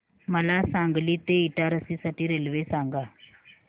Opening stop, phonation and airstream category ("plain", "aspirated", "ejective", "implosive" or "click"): plain